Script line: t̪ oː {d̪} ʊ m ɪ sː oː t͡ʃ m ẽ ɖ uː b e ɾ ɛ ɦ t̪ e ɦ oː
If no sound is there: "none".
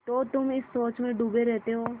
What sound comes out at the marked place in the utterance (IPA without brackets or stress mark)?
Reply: t̪